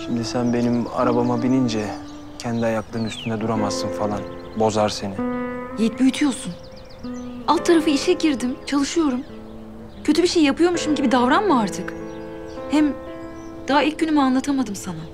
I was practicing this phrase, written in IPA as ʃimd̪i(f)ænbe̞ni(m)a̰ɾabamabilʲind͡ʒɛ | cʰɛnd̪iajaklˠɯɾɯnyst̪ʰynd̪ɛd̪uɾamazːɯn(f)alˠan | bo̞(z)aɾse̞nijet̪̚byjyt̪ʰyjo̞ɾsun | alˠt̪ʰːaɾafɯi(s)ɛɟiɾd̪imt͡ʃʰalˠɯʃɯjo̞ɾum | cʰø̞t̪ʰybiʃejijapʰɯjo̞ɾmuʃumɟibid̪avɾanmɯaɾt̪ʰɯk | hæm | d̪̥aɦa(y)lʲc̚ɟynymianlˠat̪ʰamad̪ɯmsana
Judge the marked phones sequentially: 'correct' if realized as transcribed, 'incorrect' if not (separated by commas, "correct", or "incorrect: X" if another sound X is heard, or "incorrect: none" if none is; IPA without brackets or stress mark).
incorrect: s, correct, correct, correct, incorrect: ʃ, incorrect: i